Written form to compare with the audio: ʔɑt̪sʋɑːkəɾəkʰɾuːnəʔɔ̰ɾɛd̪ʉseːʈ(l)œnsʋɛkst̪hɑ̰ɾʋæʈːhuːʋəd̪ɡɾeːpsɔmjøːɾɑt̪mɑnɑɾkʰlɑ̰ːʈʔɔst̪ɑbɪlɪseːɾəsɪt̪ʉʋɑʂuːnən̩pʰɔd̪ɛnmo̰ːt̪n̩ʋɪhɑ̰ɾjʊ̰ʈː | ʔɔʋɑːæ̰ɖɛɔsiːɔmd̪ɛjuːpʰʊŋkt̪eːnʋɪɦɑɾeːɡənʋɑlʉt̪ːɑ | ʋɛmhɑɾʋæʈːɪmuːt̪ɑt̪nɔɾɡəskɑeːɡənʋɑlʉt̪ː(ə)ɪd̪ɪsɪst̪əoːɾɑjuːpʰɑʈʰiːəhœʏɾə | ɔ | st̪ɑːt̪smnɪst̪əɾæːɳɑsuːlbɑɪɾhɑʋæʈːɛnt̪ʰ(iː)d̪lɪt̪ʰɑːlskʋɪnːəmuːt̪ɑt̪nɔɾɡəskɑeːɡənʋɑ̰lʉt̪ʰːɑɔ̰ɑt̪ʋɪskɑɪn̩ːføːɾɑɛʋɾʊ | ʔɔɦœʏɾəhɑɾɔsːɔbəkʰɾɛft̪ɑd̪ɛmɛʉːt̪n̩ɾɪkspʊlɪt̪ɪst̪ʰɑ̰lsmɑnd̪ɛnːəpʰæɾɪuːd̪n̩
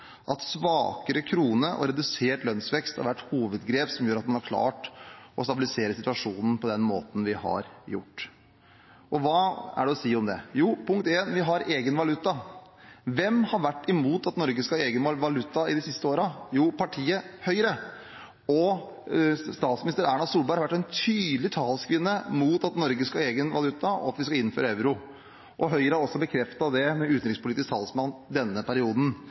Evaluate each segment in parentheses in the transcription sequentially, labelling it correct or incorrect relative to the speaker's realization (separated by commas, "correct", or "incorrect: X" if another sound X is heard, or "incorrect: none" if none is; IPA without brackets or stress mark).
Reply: correct, incorrect: ɑ, incorrect: yː